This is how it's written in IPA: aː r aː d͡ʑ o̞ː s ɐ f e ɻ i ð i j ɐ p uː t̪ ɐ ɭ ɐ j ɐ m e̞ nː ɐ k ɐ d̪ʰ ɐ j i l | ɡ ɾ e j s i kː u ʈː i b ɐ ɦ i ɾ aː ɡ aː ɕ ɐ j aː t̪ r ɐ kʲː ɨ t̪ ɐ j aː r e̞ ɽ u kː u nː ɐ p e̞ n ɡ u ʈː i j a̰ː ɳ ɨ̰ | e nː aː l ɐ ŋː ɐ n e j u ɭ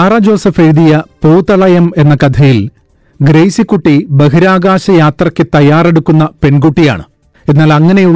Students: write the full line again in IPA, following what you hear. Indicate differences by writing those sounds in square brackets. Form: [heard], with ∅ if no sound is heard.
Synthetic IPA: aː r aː d͡ʑ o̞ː s ɐ f e ɻ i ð i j ɐ p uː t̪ ɐ ɭ ɐ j ɐ m e̞ nː ɐ k ɐ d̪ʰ ɐ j i l | ɡ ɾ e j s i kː u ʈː i b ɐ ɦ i ɾ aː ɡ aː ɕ ɐ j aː t̪ r ɐ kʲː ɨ t̪ ɐ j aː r e̞ ɽ u kː u nː ɐ p e̞ n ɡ u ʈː i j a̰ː ɳ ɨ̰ | e nː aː l ɐ ŋː ɐ n e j u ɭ